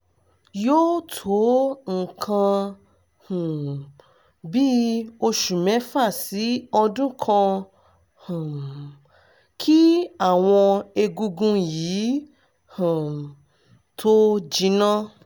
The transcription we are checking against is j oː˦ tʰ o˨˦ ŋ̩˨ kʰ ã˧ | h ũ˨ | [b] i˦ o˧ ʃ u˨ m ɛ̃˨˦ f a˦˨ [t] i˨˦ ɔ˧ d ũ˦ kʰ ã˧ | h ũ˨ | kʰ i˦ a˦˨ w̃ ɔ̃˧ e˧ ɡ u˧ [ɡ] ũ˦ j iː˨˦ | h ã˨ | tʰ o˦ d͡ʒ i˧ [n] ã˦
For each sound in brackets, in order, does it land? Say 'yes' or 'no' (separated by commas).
yes, no, yes, yes